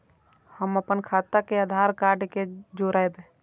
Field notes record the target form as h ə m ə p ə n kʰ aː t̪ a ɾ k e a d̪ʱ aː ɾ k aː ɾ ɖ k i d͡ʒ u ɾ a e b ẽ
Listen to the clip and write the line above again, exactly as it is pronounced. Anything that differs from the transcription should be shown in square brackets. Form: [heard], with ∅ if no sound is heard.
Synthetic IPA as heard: h ə m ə p ə n kʰ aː t̪ a [∅] k e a d̪ʱ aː ɾ k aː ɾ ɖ k [e] d͡ʒ [o] ɾ a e b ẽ